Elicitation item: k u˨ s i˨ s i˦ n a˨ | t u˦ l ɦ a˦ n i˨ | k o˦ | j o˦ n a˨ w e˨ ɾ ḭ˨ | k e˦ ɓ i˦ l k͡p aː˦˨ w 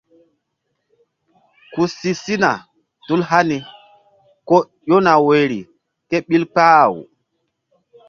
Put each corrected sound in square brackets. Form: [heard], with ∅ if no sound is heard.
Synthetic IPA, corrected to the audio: k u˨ s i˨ s i˦ n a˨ | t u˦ l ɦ a˦ n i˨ | k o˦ | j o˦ n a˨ w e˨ ɾ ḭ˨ | k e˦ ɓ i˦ l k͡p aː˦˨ w